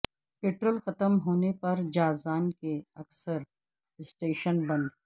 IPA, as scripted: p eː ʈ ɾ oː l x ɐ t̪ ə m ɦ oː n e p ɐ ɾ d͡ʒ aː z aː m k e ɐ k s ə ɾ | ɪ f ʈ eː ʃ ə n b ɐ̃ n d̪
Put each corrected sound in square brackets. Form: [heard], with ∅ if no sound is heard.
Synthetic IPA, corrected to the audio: p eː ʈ ɾ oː l x ɐ t̪ ə m ɦ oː n e p ɐ ɾ d͡ʒ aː z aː [n] k e ɐ k s ə ɾ | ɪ [s] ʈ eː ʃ ə n b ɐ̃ n d̪